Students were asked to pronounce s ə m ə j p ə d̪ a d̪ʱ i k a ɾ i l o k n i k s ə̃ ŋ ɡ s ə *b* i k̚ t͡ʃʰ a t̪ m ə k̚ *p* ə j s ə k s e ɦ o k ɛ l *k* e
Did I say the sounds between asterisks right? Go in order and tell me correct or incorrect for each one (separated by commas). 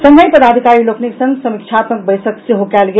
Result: incorrect, incorrect, incorrect